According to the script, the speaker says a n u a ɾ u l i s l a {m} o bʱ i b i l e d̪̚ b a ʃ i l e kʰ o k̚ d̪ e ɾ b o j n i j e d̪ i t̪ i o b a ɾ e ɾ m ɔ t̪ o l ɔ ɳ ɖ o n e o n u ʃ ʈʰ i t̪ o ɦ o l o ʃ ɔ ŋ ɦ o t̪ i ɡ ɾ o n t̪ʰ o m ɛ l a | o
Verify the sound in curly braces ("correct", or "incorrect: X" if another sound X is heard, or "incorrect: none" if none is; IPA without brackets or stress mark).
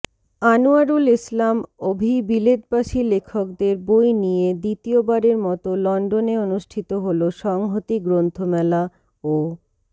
correct